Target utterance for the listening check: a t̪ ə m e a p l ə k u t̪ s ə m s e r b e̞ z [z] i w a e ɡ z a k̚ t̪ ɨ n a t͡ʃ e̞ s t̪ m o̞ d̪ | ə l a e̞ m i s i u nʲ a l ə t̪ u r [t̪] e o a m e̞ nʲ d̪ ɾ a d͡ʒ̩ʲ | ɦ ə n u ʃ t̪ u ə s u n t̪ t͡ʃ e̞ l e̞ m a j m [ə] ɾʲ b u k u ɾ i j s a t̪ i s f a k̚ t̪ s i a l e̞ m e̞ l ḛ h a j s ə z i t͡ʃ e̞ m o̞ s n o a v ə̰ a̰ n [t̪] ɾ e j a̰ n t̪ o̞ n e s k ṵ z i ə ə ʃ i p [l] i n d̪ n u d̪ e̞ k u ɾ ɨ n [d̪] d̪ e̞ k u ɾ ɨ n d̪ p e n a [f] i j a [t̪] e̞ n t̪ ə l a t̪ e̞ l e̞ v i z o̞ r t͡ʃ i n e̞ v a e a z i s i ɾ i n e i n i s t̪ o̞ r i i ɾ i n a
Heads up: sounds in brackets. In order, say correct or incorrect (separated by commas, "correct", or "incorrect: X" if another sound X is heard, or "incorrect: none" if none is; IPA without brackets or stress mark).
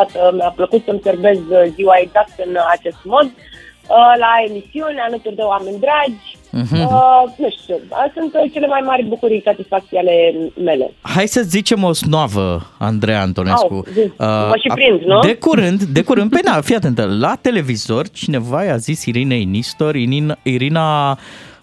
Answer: correct, incorrect: d̪, incorrect: a, incorrect: d̪, incorrect: ɾ, correct, correct, correct